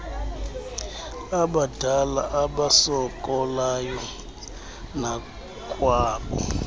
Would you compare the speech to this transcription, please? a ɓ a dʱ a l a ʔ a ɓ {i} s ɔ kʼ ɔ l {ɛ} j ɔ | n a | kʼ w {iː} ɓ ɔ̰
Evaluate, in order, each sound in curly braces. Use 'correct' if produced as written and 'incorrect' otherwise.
incorrect, incorrect, incorrect

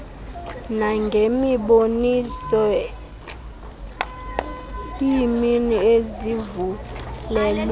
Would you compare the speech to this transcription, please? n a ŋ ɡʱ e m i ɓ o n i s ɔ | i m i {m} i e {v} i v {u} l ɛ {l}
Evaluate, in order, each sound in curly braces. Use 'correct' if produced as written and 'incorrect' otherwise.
incorrect, incorrect, correct, correct

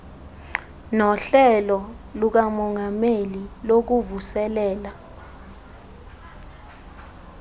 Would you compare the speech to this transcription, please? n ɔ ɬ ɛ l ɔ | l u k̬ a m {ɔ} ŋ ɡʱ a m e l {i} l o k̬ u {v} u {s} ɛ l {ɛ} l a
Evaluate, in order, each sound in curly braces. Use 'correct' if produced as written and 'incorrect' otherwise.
correct, correct, correct, correct, incorrect

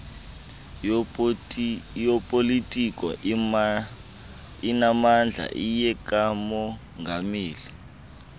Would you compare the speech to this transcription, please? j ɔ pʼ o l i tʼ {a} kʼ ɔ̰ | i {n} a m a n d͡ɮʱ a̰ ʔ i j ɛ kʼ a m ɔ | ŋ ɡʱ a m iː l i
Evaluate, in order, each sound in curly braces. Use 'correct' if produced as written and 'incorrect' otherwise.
incorrect, correct

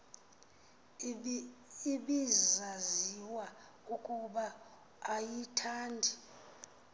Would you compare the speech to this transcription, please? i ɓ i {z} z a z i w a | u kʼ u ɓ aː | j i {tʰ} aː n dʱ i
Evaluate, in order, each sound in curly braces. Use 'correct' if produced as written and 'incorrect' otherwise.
correct, correct

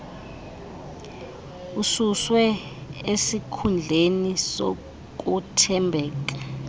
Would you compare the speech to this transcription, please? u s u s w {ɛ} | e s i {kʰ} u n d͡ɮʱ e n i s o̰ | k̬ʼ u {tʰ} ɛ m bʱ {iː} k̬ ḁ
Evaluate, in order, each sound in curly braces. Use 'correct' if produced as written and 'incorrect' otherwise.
correct, correct, correct, incorrect

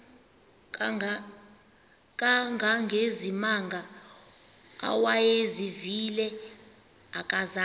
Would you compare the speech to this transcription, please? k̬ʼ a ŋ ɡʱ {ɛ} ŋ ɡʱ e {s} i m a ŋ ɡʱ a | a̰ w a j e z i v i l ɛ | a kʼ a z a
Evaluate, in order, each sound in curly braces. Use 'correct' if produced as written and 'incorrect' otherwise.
incorrect, incorrect

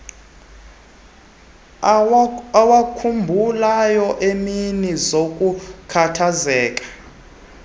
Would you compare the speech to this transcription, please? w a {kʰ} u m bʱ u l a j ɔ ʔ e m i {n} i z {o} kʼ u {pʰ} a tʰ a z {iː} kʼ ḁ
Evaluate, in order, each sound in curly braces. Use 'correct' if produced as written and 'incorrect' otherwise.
correct, correct, correct, incorrect, incorrect

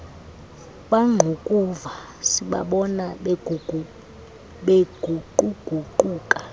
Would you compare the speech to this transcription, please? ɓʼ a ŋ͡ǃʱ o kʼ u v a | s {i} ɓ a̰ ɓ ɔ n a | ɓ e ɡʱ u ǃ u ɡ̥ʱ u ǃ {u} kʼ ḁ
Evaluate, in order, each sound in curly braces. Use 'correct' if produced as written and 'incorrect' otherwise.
correct, incorrect

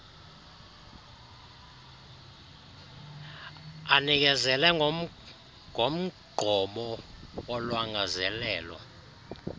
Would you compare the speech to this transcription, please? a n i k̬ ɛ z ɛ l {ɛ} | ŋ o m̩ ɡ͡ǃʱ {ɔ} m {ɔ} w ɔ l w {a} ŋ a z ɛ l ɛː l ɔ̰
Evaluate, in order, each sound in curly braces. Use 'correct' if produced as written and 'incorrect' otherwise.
correct, correct, correct, correct

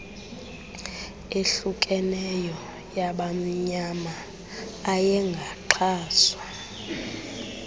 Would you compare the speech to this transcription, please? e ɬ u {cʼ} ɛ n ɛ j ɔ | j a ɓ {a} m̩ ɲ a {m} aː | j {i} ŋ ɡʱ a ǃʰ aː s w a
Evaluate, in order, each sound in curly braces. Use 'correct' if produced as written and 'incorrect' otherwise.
incorrect, correct, correct, incorrect

